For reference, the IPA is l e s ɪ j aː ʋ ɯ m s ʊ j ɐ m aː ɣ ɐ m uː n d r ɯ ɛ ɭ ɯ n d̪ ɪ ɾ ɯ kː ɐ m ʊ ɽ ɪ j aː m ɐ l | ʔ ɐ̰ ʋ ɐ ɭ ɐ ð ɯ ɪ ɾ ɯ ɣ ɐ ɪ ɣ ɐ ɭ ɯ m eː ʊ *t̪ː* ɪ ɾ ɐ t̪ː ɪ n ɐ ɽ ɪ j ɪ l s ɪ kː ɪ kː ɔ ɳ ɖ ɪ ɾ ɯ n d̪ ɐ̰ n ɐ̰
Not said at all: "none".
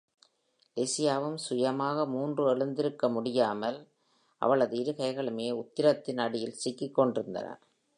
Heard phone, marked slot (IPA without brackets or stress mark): t̪ː